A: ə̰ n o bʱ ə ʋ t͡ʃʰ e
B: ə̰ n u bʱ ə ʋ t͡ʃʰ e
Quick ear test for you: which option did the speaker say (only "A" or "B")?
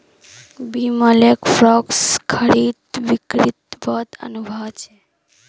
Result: B